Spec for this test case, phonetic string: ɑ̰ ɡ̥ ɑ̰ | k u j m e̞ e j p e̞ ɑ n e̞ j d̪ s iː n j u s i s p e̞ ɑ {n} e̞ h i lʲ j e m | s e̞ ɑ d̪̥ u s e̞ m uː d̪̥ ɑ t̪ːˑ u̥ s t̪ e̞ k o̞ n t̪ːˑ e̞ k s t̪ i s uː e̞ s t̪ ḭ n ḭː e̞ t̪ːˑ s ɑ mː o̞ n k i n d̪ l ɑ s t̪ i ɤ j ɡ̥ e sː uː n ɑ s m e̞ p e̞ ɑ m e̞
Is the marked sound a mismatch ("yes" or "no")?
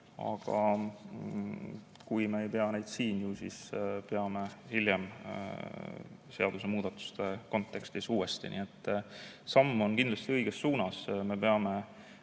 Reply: yes